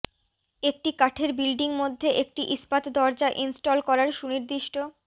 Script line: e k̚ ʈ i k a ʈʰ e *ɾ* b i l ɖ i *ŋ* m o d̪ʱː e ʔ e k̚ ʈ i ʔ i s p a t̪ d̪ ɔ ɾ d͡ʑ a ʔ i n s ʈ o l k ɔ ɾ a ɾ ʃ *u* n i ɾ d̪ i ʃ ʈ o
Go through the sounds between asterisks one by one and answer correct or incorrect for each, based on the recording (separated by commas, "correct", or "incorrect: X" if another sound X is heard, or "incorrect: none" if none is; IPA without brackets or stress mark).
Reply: correct, correct, correct